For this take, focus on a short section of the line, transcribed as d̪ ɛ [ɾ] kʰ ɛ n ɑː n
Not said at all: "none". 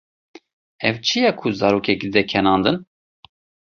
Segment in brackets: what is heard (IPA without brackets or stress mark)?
none